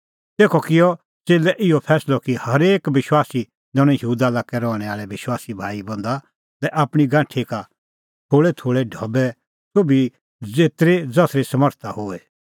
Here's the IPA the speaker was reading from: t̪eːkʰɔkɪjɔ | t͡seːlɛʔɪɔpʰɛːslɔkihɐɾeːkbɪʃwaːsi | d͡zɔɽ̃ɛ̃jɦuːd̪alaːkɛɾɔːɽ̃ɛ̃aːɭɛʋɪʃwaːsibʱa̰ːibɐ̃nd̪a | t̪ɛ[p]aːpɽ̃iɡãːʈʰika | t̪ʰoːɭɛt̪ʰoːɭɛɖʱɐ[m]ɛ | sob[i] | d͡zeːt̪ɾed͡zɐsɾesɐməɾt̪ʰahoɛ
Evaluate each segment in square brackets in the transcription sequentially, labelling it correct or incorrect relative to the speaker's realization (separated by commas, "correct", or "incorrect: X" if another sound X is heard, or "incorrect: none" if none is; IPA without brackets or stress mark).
incorrect: ʔ, incorrect: b, correct